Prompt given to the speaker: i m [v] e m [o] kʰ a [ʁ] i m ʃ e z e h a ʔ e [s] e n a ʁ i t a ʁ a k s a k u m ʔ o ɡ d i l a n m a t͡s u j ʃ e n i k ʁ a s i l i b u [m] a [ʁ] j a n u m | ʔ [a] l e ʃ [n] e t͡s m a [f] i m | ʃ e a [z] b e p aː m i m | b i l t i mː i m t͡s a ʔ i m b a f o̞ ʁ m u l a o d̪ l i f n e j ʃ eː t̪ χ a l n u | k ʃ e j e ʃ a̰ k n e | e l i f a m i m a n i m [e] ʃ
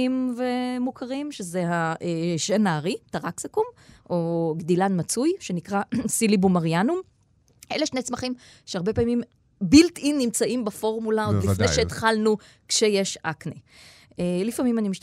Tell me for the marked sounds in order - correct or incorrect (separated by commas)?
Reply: correct, incorrect, correct, incorrect, correct, correct, incorrect, correct, incorrect, incorrect, incorrect